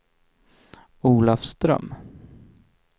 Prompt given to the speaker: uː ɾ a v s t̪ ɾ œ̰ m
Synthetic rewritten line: uː l a f s t̪ ɾ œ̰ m